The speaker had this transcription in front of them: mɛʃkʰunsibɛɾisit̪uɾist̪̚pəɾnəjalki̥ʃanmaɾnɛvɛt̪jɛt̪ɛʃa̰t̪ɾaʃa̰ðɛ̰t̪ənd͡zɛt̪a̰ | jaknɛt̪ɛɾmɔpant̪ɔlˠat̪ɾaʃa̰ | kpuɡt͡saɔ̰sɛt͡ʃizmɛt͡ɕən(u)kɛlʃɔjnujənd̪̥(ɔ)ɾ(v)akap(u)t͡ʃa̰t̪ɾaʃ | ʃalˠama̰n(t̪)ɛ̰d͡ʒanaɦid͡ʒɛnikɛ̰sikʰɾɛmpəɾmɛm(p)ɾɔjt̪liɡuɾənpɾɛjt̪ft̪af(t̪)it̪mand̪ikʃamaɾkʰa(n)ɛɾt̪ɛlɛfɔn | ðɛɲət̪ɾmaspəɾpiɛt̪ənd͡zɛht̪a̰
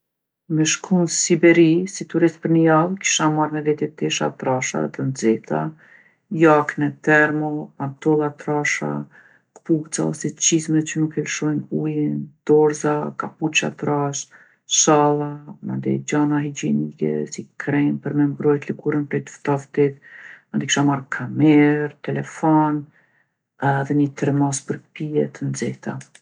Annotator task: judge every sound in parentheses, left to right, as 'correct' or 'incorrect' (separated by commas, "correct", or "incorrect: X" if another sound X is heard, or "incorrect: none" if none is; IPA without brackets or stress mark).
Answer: correct, correct, incorrect: z, correct, incorrect: d̪, incorrect: b, correct, incorrect: m